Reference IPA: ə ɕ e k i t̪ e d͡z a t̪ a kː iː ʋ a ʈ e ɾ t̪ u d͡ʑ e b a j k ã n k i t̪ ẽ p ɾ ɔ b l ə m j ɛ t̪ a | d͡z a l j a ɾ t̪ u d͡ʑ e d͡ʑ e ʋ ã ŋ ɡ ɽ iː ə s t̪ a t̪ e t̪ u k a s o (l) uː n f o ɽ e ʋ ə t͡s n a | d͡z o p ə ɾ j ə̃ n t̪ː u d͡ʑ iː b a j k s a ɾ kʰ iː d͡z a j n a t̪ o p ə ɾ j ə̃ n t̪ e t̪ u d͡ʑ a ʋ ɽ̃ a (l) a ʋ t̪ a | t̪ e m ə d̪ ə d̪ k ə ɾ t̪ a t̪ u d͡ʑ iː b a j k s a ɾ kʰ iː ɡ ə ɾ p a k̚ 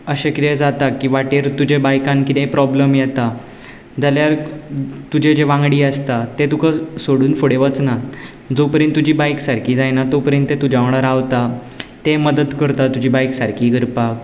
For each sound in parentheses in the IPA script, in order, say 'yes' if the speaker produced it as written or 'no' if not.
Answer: no, no

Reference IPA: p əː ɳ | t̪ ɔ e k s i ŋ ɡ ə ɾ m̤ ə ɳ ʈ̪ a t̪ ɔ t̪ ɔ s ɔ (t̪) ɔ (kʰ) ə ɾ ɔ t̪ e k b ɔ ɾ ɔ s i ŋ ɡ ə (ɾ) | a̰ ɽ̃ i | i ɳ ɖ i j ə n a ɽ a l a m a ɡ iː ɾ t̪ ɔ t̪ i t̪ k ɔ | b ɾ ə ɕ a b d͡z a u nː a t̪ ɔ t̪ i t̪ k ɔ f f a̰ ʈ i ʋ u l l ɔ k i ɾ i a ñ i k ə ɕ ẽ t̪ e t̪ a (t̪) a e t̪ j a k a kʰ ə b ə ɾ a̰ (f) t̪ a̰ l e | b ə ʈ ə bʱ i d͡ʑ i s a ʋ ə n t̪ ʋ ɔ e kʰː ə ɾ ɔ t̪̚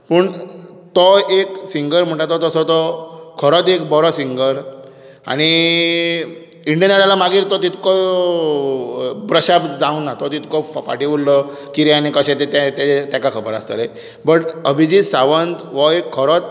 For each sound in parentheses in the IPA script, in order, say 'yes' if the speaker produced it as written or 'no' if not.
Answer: yes, yes, yes, yes, no

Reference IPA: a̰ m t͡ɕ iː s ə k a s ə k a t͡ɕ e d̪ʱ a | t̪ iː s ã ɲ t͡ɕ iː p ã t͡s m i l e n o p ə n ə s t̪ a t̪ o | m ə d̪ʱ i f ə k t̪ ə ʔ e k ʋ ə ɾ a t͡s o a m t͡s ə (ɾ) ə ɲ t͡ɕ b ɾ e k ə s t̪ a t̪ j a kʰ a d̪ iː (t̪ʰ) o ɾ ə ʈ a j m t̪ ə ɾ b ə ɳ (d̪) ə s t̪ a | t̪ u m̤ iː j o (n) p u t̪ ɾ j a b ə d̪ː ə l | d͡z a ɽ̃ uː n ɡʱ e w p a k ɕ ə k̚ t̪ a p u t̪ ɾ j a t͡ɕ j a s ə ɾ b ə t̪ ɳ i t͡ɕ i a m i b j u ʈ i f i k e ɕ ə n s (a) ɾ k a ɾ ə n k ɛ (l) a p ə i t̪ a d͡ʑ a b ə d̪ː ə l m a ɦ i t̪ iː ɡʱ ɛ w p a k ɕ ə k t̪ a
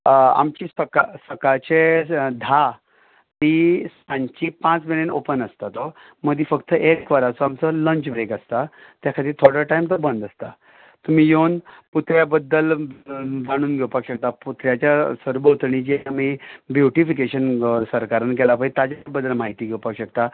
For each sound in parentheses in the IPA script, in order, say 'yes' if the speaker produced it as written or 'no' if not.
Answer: no, yes, yes, yes, no, yes

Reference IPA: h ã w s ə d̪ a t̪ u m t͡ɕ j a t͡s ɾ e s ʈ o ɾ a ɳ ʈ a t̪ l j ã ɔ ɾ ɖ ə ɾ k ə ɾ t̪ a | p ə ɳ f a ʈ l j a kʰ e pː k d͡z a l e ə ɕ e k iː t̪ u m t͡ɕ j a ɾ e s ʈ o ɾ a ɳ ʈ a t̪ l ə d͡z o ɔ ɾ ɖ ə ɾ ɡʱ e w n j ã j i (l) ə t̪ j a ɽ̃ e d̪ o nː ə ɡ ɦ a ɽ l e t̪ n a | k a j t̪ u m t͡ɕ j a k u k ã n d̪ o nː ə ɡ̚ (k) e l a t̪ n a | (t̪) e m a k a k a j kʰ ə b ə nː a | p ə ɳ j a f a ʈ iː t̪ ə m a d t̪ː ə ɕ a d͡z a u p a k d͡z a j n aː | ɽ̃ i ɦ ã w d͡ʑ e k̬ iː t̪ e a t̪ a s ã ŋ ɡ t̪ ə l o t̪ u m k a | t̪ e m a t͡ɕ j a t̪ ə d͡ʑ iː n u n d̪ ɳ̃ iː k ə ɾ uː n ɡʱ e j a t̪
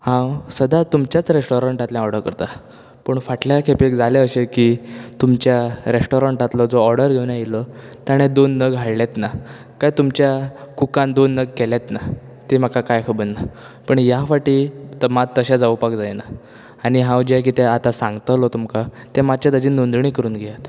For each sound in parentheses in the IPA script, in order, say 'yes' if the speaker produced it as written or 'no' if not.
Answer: yes, yes, yes

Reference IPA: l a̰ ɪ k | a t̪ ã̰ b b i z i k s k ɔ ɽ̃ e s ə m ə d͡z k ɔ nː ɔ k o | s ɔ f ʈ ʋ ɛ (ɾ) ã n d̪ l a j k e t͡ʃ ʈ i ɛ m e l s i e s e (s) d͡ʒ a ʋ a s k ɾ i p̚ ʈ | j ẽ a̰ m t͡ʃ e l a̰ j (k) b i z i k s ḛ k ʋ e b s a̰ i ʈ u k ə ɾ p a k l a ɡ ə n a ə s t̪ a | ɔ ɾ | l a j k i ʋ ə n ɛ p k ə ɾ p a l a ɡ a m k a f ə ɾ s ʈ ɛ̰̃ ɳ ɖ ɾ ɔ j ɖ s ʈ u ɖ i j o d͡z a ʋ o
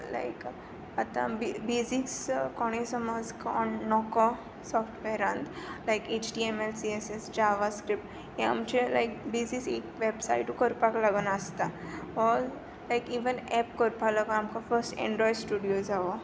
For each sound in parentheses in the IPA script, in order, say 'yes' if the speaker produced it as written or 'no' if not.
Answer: yes, yes, yes

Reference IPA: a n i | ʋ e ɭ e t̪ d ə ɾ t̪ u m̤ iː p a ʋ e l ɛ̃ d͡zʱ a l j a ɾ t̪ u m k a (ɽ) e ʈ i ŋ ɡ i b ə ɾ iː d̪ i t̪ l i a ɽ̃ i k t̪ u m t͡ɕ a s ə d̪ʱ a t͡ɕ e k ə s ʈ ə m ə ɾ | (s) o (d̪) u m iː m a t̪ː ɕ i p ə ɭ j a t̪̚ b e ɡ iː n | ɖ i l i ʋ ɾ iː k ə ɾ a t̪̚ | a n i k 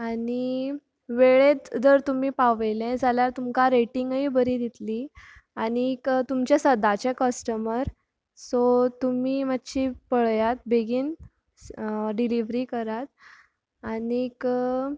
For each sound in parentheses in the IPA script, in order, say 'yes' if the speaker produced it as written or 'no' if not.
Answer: no, yes, no

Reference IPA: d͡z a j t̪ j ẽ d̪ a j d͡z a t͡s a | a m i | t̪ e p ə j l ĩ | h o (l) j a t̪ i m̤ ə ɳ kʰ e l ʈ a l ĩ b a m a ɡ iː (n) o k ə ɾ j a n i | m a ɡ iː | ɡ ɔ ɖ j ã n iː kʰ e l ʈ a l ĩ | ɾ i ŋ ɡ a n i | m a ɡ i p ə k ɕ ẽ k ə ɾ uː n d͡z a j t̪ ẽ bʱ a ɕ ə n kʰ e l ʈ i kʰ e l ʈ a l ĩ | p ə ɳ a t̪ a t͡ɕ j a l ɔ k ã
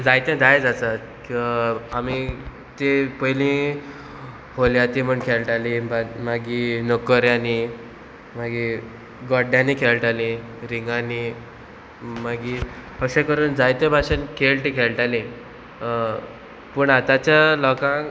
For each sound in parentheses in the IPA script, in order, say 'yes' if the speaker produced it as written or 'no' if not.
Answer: yes, yes

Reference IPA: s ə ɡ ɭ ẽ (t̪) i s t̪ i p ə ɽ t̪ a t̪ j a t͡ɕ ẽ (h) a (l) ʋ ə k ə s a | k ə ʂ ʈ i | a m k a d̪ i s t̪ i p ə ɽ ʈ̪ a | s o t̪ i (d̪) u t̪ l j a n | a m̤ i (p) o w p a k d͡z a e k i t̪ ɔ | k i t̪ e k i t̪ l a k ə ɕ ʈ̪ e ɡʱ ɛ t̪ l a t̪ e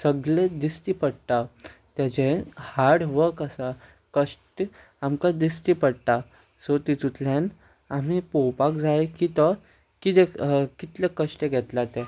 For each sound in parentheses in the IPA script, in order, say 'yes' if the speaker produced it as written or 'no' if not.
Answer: no, yes, no, no, yes

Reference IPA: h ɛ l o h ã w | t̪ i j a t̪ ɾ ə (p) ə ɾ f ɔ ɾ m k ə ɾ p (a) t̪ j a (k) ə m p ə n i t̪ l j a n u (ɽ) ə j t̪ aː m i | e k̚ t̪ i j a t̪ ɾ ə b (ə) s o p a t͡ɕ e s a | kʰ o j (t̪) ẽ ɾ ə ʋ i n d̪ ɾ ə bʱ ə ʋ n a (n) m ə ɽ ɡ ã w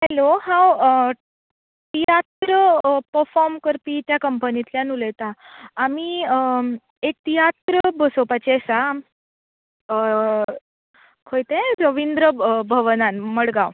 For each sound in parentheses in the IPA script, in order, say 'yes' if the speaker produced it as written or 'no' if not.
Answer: yes, no, yes, no, yes, yes, yes

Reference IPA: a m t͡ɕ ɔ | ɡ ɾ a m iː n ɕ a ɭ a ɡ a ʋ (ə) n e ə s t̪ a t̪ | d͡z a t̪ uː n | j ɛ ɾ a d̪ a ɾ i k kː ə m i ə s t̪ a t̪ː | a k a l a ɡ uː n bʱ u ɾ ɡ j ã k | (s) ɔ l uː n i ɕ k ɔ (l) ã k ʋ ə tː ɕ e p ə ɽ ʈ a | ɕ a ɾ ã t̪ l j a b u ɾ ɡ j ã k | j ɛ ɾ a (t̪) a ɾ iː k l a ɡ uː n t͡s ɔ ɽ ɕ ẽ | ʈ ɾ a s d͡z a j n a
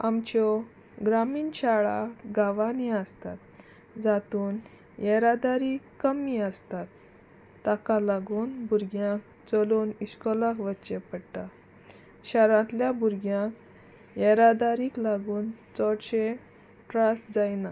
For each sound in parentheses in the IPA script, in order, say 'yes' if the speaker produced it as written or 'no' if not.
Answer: no, no, yes, no

